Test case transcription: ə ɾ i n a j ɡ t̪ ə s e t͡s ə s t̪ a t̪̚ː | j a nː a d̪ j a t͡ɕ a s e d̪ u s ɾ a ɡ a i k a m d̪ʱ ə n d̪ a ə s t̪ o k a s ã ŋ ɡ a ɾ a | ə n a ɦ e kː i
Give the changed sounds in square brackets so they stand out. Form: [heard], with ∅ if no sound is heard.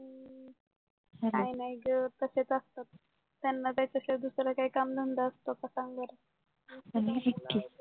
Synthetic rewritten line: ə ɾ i n a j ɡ t̪ ə s e t͡s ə s t̪ a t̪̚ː | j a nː a [t̪] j a t͡ɕ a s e d̪ u s ɾ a [k] a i k a m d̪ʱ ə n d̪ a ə s t̪ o k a s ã ŋ ɡ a ɾ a | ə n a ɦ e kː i